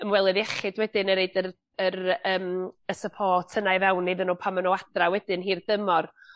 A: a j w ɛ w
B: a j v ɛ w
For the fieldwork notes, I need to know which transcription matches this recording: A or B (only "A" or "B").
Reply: B